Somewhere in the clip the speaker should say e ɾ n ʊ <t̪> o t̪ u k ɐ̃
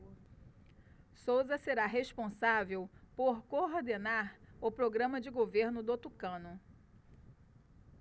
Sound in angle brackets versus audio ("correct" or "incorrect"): incorrect